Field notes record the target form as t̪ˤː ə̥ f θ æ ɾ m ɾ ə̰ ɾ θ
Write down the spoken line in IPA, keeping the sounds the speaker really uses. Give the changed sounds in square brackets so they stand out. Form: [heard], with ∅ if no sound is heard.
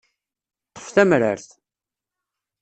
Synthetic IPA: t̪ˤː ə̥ f θ æ [∅] m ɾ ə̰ ɾ θ